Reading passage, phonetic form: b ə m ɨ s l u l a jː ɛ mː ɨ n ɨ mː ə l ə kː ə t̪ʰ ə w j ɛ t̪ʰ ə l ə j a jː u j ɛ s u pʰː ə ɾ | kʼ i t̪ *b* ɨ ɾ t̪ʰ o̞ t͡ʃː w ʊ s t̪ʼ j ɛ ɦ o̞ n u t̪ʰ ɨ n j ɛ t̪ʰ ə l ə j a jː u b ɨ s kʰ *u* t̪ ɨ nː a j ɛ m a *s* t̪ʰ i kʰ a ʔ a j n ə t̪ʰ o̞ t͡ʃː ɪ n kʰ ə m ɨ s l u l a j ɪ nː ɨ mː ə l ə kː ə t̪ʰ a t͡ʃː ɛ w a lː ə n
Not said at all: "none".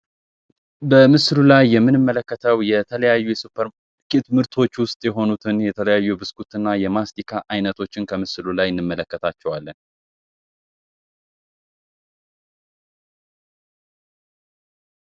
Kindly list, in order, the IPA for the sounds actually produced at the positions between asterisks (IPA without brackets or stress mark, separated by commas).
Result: m, u, s